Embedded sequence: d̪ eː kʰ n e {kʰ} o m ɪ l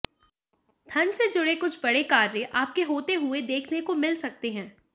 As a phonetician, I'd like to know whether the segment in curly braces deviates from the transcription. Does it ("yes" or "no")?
yes